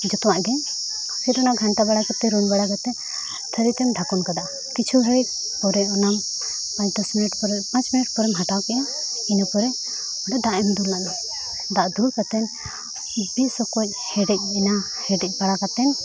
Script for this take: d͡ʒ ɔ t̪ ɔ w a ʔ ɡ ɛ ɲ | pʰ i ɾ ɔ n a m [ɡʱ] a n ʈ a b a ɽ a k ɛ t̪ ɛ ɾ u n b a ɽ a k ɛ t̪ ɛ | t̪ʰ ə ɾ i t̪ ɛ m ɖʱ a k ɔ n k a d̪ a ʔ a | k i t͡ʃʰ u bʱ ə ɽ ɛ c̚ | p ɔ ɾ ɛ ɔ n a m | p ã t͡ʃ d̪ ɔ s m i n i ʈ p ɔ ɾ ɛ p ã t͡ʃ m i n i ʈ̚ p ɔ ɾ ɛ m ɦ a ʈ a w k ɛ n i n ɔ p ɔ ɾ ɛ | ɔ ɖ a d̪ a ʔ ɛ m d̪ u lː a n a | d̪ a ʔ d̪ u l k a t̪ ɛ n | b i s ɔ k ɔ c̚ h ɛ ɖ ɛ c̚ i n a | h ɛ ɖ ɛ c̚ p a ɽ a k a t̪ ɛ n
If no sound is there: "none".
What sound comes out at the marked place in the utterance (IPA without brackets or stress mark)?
ɡʱ